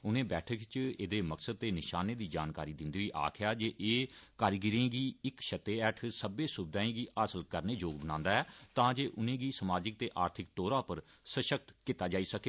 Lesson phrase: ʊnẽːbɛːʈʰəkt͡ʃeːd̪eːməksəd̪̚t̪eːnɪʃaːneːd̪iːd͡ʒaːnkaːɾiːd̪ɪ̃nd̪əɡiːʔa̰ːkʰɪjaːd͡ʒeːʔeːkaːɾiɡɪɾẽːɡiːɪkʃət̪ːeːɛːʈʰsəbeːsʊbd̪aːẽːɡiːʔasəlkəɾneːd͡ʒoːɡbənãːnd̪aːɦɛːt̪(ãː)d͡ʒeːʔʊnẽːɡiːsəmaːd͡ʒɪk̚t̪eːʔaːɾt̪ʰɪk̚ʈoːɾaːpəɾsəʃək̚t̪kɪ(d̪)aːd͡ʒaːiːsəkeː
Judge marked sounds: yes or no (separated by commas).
yes, no